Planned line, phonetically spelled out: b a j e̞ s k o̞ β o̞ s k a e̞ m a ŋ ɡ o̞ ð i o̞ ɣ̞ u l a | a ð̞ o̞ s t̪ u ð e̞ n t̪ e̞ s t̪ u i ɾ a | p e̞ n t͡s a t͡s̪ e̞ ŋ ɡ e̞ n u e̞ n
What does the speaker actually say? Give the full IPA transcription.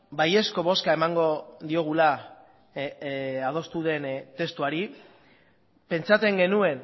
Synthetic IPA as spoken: b a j e̞ s k o̞ β o̞ s k a e̞ m a ŋ ɡ o̞ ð i o̞ ɣ̞ u l a | a ð̞ o̞ s t̪ u ð e̞ n t̪ e̞ s t̪ u a ɾ i | p e̞ n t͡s a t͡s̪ e̞ ŋ ɡ e̞ n u e̞ n

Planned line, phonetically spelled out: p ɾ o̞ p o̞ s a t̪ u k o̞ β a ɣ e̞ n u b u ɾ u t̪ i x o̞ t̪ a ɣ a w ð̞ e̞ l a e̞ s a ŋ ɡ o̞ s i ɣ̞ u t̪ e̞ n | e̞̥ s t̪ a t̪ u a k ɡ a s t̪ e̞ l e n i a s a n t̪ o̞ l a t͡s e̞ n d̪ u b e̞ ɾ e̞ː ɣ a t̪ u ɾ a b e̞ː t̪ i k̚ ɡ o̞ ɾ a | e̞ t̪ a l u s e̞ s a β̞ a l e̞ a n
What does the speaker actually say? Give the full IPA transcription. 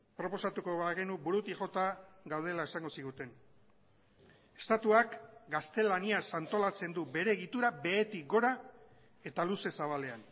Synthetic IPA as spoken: p ɾ o̞ p o̞ s a t̪ u k o̞ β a ɣ e̞ n u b u ɾ u t̪ i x o̞ t̪ a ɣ a w ð̞ e̞ l a e̞ s a ŋ ɡ o̞ s i ɣ̞ u t̪ e̞ n | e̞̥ s t̪ a t̪ u a k ɡ a s t̪ e̞ l a n i a s a n t̪ o̞ l a t͡s e̞ n d̪ u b e̞ ɾ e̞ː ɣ i t̪ u ɾ a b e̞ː t̪ i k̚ ɡ o̞ ɾ a | e̞ t̪ a l u s e̞ s a β̞ a l e̞ a n

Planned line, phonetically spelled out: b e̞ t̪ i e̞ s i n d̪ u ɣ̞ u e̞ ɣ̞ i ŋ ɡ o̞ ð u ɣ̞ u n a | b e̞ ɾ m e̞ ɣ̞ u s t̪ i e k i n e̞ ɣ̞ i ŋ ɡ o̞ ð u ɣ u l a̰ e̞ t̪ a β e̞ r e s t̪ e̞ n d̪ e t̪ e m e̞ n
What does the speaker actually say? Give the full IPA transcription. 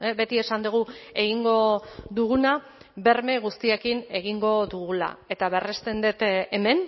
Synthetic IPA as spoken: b e̞ t̪ i e̞ s a n d̪ u ɣ̞ u e̞ ɣ̞ i ŋ ɡ o̞ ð u ɣ̞ u n a | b e̞ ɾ m e̞ ɣ̞ u s t̪ i e k i n e̞ ɣ̞ i ŋ ɡ o̞ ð u ɣ u l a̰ e̞ t̪ a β e̞ r e s t̪ e̞ n d̪ e t̪ e m e̞ n

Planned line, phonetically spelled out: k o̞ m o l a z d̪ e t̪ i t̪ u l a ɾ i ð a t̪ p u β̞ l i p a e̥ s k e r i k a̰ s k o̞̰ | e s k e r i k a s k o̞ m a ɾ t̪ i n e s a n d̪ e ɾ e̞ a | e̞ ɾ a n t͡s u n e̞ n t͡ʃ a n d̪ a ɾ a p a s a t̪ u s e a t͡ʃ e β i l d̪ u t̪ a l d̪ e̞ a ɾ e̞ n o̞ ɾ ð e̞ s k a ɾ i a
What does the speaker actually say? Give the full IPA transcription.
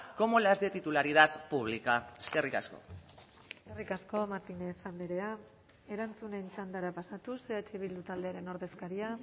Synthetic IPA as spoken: k o̞ m o l a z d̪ e t̪ i t̪ u l a ɾ i ð a t̪ p u β̞ l i k a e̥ s k e r i k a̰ s k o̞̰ | e s k e r i k a s k o̞ m a ɾ t̪ i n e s a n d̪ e ɾ e̞ a | e̞ ɾ a n t͡s u n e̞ n t͡ʃ a n d̪ a ɾ a p a s a t̪ u s e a t͡ʃ e β i l d̪ u t̪ a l d̪ e̞ a ɾ e̞ n o̞ ɾ ð e̞ s k a ɾ i a

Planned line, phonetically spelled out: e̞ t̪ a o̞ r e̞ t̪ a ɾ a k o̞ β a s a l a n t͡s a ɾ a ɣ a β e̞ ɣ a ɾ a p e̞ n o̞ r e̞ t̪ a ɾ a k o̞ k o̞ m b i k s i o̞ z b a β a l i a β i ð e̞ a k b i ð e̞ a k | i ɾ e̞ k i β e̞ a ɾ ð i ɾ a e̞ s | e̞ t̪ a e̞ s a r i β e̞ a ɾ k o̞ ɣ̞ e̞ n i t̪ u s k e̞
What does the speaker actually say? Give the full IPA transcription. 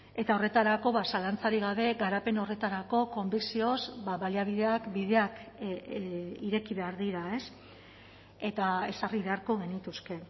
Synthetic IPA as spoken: e̞ t̪ a o̞ r e̞ t̪ a ɾ a k o̞ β a s a l a n t͡s a ɾ i ɣ a β e̞ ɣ a ɾ a p e̞ n o̞ r e̞ t̪ a ɾ a k o̞ k o̞ m b i k s i o̞ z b a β a l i a β i ð e̞ a k b i ð e̞ a k | i ɾ e̞ k i β e̞ a ɾ ð i ɾ a e̞ s | e̞ t̪ a e̞ s a r i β e̞ a ɾ k o̞ ɣ̞ e̞ n i t̪ u s k e̞

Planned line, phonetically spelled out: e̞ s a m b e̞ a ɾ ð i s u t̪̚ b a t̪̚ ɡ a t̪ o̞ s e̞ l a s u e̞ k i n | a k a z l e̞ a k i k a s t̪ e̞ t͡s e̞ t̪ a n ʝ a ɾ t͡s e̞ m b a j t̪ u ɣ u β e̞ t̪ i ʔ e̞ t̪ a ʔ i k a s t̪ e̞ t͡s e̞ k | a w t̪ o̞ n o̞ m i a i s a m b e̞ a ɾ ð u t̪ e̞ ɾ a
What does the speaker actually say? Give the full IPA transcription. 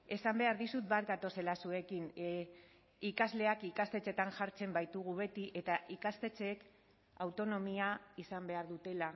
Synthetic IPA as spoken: e̞ s a m b e̞ a ɾ ð i s u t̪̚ b a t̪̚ ɡ a t̪ o̞ s e̞ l a s u e̞ k i n | i k a z l e̞ a k i k a s t̪ e̞ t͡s e̞ t̪ a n ʝ a ɾ t͡s e̞ m b a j t̪ u ɣ u β e̞ t̪ i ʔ e̞ t̪ a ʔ i k a s t̪ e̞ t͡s e̞ k | a w t̪ o̞ n o̞ m i a i s a m b e̞ a ɾ ð u t̪ e̞ l a

